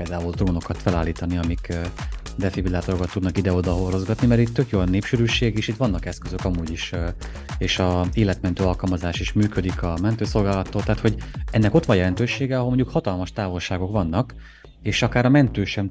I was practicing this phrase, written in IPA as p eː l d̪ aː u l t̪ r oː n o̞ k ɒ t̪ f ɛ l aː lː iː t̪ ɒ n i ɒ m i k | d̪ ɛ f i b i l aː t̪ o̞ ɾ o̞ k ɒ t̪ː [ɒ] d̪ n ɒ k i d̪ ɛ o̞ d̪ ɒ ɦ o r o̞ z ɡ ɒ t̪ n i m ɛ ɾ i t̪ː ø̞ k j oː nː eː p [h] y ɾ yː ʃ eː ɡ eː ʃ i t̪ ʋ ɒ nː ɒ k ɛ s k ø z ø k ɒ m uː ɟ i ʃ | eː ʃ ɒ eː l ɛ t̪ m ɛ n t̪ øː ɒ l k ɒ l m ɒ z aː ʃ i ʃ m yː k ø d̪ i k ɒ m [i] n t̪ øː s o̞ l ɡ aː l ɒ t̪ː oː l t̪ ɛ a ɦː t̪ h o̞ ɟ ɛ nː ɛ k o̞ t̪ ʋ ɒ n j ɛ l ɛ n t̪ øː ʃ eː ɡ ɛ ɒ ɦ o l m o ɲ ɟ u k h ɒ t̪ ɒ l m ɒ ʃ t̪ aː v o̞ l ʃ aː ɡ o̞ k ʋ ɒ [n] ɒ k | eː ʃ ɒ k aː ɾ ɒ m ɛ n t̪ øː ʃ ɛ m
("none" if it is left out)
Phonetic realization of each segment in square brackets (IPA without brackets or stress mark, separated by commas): u, ʃ, ɛ, nː